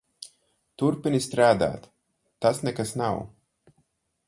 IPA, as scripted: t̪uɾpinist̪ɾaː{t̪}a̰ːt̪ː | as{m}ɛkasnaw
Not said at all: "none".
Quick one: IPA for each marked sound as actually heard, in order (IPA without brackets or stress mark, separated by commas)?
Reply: d̪, n